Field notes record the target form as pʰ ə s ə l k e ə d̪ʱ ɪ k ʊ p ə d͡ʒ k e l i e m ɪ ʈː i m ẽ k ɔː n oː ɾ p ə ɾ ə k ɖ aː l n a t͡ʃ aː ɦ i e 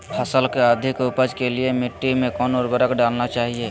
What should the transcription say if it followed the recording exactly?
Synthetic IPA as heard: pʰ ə s ə l k e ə d̪ʱ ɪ k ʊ p ə d͡ʒ k e l i e m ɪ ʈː i m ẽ k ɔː n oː ɾ b ə ɾ ə k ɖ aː l n a t͡ʃ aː ɦ i e

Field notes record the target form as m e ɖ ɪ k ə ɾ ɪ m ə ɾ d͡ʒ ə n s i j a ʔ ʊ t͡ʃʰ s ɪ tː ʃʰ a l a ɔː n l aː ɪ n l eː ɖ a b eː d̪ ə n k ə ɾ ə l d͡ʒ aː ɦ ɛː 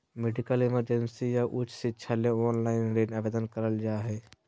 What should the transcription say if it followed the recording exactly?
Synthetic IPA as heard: m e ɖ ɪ k ə l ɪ m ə ɾ d͡ʒ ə n s i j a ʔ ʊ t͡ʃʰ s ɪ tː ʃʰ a l e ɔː n l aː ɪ n ɾ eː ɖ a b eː d̪ ə n k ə ɾ ə l d͡ʒ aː ɦ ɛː

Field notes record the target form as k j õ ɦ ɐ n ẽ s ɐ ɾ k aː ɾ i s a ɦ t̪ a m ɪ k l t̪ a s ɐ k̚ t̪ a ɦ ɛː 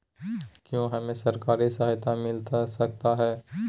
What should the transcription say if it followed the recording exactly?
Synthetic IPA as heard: k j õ ɦ ɐ m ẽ s ɐ ɾ k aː ɾ i s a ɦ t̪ a m ɪ l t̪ a s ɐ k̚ t̪ a ɦ ɛː

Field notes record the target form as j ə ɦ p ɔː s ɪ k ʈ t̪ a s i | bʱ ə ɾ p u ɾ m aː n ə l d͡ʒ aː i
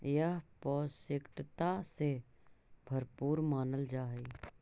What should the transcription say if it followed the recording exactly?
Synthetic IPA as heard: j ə ɦ p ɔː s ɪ k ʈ t̪ a s e | bʱ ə ɾ p uː ɾ m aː n ə l d͡ʒ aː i

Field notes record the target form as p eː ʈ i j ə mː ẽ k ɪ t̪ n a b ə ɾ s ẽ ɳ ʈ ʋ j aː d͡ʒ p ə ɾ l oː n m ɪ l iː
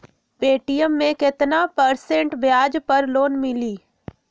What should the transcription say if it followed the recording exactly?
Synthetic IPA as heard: p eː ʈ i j ə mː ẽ k ɪ t̪ n a p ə ɾ s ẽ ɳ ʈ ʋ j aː d͡ʒ p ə ɾ l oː n m ɪ l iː

